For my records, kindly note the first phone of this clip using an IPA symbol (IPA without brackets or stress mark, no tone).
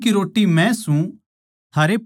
k